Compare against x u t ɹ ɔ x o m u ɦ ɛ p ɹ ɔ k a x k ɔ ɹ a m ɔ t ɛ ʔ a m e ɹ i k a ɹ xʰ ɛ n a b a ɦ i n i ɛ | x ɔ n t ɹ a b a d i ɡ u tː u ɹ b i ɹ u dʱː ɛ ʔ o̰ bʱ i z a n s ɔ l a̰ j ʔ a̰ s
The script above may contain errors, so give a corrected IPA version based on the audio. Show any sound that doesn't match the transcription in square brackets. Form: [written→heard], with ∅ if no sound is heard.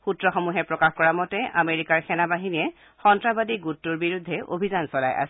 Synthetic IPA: x u t ɹ ɔ x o m u ɦ ɛ p ɹ ɔ k a x k ɔ ɹ a m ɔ t ɛ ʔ a m e ɹ i k a ɹ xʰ ɛ n a b a ɦ i n i ɛ | x ɔ n t ɹ a b a d i ɡ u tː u ɹ b i ɹ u dʱː ɛ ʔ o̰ bʱ i z a n s ɔ l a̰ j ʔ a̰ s